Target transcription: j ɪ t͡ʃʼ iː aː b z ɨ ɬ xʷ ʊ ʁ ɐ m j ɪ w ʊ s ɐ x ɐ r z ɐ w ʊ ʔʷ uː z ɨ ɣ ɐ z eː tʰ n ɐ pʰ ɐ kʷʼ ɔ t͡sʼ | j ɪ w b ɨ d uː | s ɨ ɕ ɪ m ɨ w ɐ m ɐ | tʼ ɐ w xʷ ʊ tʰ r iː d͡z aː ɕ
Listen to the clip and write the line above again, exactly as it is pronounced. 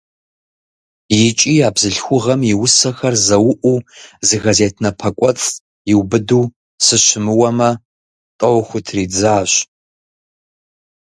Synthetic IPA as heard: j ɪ t͡ʃʼ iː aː b z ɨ ɬ xʷ ʊ ʁ ɐ m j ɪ w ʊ s ɐ x ɐ r z ɐ w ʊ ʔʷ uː z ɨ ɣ ɐ z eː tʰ n ɐ pʰ ɐ kʷʼ ɔ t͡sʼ | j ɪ w b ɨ d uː | s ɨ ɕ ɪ m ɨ w ɐ m ɐ | tʼ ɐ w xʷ ʊ tʰ r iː d͡z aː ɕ